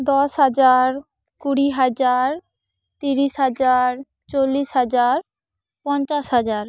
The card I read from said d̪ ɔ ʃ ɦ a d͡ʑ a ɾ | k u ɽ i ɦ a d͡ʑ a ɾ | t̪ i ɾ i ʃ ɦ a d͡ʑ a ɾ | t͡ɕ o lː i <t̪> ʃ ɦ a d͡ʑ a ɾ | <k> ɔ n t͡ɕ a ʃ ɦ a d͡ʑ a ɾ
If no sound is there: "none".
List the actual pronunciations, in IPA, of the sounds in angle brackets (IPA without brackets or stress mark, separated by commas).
none, p